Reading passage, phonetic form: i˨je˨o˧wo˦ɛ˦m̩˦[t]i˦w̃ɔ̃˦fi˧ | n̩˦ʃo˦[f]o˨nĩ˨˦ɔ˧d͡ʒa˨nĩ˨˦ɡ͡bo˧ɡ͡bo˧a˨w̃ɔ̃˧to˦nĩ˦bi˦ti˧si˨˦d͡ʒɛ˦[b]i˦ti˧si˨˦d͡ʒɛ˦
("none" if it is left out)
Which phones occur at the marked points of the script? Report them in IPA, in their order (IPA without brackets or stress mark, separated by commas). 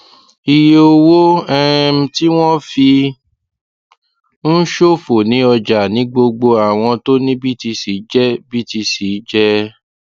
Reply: t, f, b